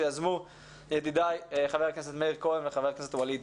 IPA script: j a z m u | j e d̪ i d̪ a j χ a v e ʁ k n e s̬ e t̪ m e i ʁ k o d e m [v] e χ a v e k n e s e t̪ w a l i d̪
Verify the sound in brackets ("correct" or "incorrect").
correct